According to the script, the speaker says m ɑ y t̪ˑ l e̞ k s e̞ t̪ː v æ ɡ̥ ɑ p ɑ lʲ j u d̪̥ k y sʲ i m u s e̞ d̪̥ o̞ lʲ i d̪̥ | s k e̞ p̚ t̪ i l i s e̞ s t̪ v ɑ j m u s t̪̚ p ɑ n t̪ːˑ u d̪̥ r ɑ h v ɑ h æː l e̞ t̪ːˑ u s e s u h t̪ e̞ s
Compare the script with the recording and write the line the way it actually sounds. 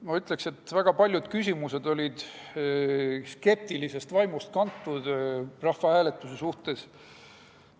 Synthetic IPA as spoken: m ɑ y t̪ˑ l e̞ k s e̞ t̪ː v æ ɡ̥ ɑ p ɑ lʲ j u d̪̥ k y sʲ i m u s e̞ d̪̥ o̞ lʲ i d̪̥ | s k e̞ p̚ t̪ i l i s e̞ s t̪ v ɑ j m u s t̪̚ k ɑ n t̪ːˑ u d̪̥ r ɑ h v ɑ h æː l e̞ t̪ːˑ u s e s u h t̪ e̞ s